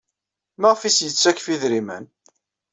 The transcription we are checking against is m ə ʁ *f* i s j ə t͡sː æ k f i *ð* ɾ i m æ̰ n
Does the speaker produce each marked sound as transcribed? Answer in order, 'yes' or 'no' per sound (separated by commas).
yes, yes